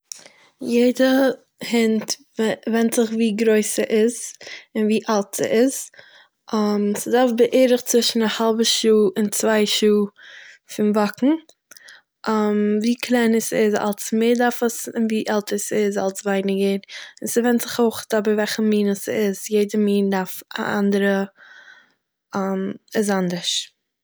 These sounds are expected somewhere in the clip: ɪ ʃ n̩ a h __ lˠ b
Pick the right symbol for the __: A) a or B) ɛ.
A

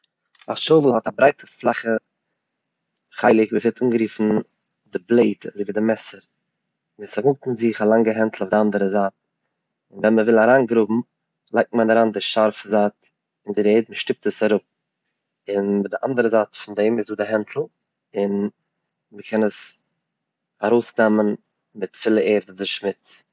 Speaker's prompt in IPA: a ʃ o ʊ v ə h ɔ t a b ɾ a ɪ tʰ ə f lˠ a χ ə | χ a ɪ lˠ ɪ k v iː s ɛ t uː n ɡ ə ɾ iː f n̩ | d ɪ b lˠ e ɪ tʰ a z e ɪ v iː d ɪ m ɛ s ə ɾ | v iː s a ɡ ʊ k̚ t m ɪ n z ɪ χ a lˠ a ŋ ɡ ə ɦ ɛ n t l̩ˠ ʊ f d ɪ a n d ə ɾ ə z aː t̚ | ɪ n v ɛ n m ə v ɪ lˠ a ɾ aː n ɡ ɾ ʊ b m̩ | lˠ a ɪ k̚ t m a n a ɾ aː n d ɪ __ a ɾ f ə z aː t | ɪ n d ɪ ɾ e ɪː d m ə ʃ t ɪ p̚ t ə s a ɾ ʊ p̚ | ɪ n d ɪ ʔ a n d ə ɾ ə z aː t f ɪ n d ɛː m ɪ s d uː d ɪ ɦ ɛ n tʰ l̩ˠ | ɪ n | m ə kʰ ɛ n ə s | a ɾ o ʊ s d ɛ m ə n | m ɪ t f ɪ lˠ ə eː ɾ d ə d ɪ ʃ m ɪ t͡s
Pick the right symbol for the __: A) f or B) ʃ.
B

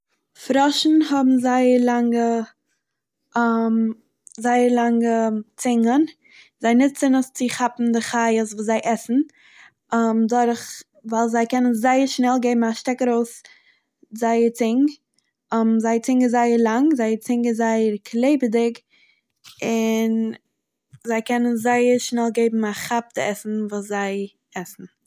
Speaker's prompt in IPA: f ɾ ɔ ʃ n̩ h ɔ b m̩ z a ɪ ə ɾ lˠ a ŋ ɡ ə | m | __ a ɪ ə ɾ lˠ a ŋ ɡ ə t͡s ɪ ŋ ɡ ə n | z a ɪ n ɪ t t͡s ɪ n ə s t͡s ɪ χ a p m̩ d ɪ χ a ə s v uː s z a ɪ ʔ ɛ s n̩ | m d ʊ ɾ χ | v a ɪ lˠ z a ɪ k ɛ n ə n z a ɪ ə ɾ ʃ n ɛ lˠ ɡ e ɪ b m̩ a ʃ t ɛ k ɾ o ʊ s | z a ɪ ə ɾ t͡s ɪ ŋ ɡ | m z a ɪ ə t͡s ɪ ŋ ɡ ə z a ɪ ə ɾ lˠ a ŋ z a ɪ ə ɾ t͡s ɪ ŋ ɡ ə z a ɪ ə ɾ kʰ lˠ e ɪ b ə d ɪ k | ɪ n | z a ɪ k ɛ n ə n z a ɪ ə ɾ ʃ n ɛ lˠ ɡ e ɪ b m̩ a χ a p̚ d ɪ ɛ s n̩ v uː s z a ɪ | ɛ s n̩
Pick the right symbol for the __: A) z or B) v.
A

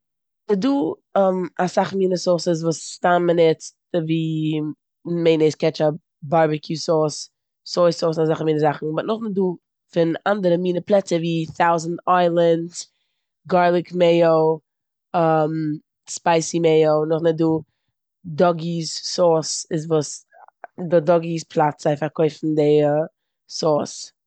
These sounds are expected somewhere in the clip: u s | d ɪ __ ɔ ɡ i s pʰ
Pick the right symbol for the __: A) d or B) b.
A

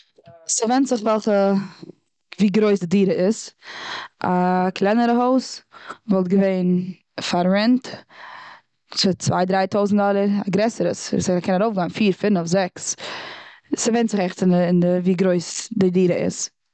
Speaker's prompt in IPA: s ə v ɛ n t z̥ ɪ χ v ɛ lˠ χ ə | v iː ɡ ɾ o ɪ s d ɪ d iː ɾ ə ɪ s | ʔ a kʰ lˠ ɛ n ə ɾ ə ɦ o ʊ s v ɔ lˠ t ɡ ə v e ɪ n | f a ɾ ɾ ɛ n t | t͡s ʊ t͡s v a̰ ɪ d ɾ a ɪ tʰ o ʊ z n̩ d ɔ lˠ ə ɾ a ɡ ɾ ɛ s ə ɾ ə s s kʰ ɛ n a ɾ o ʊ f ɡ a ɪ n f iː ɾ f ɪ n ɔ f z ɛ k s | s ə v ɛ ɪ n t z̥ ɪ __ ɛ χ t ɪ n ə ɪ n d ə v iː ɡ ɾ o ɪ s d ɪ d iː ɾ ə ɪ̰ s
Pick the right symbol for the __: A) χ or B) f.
A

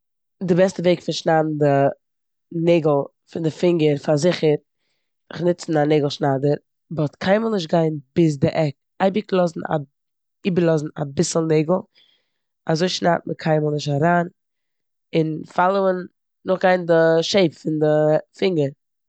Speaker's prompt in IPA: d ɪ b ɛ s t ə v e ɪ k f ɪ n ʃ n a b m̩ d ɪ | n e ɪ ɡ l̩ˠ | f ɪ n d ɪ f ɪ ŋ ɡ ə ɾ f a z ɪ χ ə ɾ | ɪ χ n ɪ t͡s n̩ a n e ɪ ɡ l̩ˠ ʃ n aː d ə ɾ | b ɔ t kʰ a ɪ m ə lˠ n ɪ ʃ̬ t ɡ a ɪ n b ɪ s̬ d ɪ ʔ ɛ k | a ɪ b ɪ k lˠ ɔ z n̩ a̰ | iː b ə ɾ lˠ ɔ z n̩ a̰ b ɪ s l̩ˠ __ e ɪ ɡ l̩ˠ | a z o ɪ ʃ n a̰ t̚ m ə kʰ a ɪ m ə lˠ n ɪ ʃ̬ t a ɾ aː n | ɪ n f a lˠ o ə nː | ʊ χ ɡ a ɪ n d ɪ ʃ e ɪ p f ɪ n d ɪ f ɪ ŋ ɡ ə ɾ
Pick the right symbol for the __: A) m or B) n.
B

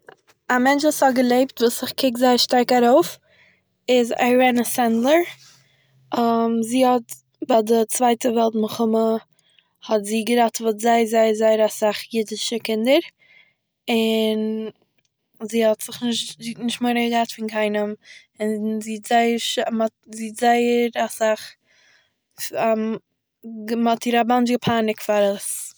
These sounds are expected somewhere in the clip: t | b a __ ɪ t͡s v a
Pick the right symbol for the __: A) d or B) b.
A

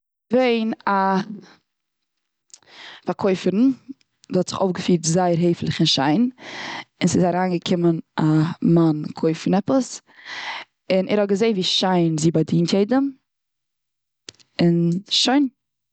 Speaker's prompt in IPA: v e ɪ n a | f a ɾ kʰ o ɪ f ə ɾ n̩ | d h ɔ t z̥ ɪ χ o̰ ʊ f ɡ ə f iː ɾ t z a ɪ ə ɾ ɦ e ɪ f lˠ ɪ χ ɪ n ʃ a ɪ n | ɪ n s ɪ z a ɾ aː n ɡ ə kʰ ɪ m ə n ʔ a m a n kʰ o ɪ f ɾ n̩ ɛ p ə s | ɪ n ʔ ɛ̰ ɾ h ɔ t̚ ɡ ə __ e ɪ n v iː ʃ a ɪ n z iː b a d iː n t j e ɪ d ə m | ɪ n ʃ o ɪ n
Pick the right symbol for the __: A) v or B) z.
B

